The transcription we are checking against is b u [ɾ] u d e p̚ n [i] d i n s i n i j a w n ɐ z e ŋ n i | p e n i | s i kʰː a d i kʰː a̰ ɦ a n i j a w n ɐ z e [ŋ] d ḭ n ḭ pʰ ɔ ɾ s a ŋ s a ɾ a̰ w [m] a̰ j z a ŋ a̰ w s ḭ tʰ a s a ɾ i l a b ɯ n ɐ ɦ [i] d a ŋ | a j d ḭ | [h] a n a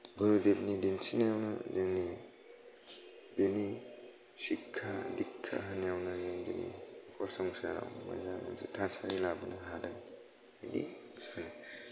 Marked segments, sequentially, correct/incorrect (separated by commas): correct, correct, correct, correct, incorrect, incorrect